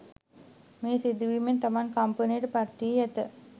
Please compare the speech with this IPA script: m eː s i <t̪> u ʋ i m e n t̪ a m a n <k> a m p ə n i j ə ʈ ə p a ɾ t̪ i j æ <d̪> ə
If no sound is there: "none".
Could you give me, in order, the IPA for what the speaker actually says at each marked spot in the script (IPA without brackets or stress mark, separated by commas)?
d̪, k, t̪